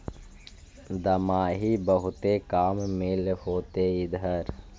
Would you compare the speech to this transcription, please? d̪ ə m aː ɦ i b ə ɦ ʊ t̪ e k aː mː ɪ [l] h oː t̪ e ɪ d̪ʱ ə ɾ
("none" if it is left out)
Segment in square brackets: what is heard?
l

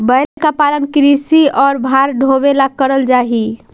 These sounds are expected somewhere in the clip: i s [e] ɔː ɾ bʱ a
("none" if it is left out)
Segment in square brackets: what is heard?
i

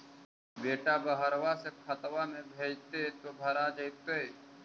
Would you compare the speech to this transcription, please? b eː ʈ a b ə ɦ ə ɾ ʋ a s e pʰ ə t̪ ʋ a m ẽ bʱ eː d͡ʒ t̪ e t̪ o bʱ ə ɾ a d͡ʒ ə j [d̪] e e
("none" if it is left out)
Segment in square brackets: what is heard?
t̪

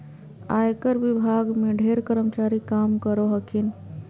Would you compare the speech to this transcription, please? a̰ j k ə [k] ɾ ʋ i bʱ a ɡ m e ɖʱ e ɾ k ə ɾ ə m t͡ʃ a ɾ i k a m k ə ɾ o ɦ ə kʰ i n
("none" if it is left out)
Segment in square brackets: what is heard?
none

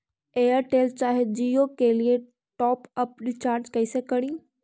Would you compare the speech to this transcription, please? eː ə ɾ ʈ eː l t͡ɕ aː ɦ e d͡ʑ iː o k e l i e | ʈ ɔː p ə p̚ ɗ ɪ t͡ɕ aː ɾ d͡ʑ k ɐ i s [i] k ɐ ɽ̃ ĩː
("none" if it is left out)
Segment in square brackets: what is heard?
e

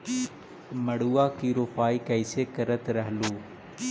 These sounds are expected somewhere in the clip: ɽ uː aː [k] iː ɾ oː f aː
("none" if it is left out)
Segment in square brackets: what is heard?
k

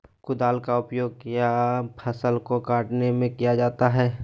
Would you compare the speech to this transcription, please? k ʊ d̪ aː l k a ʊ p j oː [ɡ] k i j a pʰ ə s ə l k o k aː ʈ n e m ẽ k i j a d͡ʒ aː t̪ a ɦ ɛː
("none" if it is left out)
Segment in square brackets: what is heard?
ɡ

